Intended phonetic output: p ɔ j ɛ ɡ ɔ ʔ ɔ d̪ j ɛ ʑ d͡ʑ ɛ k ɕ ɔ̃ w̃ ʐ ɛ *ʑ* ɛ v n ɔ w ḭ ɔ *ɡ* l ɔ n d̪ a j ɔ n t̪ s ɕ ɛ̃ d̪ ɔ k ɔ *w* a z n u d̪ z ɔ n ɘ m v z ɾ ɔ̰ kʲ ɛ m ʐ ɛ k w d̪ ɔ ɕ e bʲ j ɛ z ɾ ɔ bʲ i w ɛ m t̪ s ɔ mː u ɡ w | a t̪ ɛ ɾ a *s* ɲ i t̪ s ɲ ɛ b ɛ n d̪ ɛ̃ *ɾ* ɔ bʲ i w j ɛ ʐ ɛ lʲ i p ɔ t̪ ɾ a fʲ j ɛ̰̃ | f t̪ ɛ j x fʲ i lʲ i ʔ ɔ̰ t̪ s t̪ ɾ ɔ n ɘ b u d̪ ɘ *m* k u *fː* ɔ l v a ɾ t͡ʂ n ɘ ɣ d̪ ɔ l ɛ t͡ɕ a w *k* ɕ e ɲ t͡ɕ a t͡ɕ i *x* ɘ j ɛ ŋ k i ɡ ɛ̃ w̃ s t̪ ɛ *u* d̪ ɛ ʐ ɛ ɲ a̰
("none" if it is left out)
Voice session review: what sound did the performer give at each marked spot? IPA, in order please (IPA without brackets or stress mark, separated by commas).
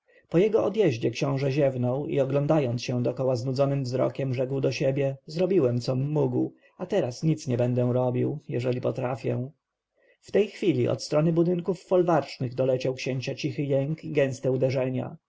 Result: ʑ, ɡ, w, s, ɾ, ŋ, fː, k, x, u